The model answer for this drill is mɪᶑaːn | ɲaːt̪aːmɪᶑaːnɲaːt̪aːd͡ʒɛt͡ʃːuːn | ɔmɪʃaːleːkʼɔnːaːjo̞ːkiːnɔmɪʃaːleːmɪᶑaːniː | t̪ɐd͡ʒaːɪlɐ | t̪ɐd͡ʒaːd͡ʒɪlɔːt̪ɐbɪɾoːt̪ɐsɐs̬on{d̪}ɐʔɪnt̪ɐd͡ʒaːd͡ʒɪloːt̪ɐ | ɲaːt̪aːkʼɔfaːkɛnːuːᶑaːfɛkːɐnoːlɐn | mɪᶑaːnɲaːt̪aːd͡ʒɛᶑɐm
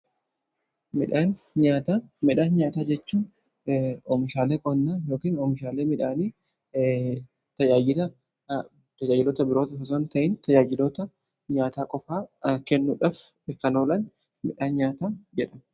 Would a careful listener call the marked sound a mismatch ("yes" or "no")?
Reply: yes